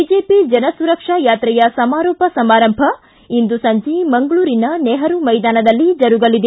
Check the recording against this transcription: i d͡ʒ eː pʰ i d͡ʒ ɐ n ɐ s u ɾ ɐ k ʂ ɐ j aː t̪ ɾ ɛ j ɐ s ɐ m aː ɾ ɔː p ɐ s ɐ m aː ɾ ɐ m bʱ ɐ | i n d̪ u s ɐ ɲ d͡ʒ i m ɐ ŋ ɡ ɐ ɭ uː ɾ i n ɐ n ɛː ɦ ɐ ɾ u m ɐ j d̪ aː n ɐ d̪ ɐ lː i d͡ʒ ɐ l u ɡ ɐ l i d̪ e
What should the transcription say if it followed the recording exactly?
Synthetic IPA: i d͡ʒ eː p i d͡ʒ ɐ n ɐ s u ɾ ɐ k ʂ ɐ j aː t̪ ɾ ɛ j ɐ s ɐ m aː ɾ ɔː p ɐ s ɐ m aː ɾ ɐ m bʱ ɐ | i n d̪ u s ɐ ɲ d͡ʒ i m ɐ ŋ ɡ ɐ ɭ uː ɾ i n ɐ n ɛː ɦ ɐ ɾ u m ɐ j d̪ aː n ɐ d̪ ɐ lː i d͡ʒ ɐ ɾ u ɡ ɐ l i d̪ e